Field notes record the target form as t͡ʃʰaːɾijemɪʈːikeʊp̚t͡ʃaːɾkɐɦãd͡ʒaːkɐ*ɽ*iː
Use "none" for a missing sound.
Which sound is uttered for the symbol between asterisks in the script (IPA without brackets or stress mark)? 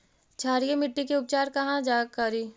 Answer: ɾ